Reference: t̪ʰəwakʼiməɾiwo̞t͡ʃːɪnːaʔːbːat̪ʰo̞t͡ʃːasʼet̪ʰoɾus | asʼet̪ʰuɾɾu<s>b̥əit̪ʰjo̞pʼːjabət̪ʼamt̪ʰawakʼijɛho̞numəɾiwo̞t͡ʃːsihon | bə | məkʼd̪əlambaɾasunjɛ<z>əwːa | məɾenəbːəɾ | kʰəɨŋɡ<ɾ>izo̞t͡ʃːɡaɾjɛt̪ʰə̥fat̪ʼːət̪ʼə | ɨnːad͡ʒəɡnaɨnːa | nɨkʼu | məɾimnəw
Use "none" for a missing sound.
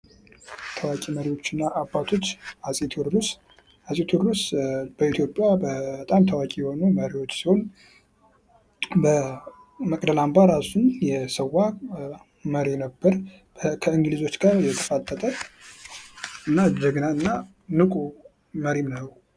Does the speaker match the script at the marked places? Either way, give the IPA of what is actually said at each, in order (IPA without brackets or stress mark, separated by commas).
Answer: s, s, l